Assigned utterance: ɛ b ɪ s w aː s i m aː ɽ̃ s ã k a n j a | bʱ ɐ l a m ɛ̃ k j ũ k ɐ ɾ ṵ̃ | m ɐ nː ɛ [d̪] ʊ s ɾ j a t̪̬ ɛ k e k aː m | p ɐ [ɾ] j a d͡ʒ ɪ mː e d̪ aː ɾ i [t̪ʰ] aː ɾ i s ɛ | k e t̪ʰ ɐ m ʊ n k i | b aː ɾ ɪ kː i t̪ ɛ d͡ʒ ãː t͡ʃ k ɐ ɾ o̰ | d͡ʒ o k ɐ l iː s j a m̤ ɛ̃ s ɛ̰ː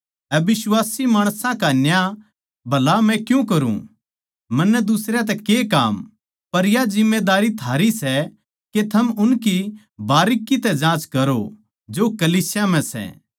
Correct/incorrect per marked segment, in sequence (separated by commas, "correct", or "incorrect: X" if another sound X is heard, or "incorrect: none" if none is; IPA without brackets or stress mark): correct, correct, correct